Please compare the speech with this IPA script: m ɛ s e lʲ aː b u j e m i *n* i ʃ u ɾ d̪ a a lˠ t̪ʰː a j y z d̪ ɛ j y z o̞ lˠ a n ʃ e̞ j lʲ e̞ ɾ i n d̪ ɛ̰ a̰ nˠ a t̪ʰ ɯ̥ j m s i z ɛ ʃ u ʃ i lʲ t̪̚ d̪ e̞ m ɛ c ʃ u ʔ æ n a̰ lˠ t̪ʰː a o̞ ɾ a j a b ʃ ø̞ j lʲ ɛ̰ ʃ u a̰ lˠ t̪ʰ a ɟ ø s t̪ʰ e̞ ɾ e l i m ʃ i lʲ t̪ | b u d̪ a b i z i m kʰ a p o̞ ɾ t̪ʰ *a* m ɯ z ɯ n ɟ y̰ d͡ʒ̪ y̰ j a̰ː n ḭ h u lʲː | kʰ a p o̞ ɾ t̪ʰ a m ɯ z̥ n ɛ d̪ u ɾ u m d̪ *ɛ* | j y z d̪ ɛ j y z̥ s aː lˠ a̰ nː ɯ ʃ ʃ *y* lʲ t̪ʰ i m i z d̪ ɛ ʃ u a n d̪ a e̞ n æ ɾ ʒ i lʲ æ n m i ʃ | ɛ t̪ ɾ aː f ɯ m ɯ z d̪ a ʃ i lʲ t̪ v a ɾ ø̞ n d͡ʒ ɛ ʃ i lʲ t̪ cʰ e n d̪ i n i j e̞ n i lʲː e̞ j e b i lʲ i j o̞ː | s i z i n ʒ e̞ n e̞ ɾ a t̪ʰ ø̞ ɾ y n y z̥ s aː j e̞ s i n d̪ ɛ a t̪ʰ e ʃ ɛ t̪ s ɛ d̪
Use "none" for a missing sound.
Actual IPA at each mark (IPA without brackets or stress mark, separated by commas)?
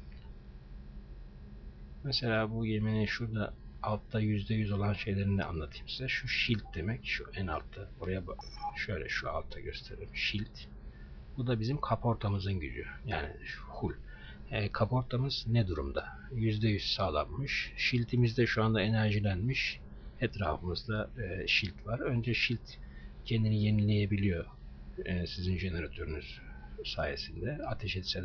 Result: n, a, a, i